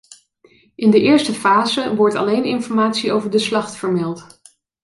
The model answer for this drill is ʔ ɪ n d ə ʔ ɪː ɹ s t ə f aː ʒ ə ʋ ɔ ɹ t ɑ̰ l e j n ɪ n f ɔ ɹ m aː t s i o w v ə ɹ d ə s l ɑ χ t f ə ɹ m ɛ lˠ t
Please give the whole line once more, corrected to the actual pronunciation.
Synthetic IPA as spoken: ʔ ɪ n d ə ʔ ɪː ɹ s t ə f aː z ə ʋ ɔ ɹ t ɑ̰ l e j n ɪ n f ɔ ɹ m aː t s i o w v ə ɹ d ə s l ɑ χ t f ə ɹ m ɛ lˠ t